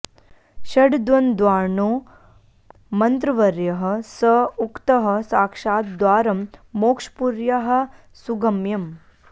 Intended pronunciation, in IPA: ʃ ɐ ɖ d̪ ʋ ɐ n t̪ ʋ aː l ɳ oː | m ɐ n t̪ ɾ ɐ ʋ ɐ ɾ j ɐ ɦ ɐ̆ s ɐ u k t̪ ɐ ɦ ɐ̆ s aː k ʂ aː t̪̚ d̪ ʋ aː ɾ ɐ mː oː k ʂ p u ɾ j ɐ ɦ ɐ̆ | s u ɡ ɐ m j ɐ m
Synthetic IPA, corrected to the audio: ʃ ɐ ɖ d̪ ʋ ɐ n d̪ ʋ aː ɾ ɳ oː | m ɐ n t̪ ɾ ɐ ʋ ɐ ɾ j ɐ ɦ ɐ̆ s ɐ u k t̪ ɐ ɦ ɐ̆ s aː k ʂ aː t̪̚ d̪ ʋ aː ɾ ɐ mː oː k ʂ p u ɾ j ɐ ɦ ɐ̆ | s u ɡ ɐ m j ɐ m